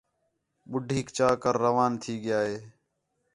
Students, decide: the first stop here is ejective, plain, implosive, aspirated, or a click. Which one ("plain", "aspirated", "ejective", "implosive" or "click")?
implosive